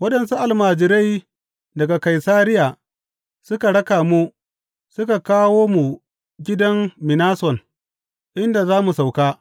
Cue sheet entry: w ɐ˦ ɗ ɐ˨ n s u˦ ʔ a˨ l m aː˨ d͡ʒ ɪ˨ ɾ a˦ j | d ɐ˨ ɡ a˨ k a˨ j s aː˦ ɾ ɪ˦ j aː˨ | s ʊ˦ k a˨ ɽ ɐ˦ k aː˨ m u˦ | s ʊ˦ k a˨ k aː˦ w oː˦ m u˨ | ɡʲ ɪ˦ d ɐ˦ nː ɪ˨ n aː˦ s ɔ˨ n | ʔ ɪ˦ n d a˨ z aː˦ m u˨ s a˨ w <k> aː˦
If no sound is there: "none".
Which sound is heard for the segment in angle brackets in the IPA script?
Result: k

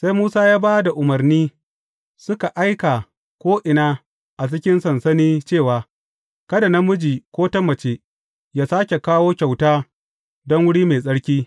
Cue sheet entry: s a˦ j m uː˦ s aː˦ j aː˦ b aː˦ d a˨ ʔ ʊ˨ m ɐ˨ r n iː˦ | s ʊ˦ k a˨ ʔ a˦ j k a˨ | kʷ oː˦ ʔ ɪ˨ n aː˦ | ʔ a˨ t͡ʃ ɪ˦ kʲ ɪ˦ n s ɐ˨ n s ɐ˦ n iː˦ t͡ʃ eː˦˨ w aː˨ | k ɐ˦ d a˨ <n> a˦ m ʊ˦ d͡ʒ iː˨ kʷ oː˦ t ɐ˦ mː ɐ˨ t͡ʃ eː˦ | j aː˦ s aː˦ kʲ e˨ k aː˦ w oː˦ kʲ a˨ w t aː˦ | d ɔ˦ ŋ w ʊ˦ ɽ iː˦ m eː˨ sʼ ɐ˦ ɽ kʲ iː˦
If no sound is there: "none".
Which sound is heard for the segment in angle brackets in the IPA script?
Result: n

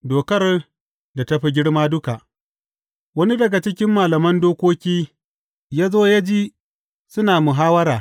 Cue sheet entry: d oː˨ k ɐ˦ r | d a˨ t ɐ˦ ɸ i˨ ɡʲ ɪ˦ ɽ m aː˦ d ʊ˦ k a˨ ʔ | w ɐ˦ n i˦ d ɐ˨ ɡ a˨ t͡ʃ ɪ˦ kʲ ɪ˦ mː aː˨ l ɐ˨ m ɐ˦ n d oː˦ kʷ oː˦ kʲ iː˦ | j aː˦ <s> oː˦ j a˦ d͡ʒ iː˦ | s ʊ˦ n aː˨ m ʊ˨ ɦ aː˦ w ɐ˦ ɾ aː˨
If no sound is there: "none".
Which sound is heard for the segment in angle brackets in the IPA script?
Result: z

